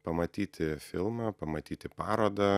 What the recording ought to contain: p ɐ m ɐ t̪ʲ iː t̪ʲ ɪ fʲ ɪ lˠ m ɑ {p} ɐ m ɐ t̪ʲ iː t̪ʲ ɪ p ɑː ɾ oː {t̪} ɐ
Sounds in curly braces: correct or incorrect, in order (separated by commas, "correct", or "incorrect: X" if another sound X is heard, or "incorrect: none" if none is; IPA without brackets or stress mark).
correct, incorrect: d̪